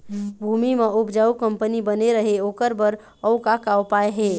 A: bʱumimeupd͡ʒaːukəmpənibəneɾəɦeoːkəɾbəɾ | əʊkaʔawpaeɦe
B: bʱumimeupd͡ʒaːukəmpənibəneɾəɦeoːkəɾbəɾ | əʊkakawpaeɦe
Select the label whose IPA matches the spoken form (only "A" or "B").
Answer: B